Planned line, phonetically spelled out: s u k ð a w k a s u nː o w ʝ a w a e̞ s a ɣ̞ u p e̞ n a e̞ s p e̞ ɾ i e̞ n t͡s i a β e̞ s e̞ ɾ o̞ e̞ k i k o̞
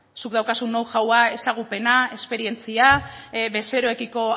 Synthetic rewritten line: s u k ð a w k a s u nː o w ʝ a w a e̞ s a ɣ̞ u p e̞ n a e̞ s p e̞ ɾ i e̞ n t͡s i a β e̞ s e̞ ɾ o̞ e̞ k i k o̞